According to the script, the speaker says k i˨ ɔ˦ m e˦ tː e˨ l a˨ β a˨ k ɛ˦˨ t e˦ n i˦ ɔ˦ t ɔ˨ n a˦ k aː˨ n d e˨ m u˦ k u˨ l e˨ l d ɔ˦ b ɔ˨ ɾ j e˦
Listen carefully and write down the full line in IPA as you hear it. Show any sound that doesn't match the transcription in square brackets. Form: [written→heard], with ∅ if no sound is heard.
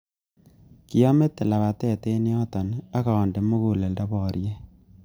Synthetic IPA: k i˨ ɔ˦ m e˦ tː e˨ l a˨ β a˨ [k→t] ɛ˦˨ t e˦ n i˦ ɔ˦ t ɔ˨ n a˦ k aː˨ n d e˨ m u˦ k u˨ l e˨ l d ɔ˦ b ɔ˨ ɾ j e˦